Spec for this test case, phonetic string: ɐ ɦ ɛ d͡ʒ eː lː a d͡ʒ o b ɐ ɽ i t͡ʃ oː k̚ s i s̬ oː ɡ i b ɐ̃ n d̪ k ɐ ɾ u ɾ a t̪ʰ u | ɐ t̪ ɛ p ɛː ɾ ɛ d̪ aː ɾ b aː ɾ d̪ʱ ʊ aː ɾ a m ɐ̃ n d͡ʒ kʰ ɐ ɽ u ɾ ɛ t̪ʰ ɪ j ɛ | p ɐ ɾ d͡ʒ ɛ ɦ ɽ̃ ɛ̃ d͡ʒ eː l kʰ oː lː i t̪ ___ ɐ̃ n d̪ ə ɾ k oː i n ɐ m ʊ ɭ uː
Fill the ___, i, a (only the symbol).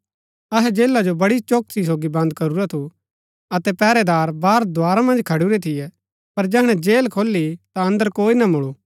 a